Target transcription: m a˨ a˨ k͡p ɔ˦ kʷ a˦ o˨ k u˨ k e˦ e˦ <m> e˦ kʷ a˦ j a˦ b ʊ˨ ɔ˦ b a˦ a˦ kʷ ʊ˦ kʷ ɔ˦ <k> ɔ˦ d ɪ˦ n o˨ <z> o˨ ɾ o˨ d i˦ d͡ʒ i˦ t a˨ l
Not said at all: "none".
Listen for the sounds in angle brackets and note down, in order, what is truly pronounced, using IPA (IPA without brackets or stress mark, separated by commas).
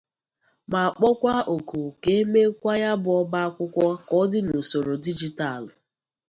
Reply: m, k, s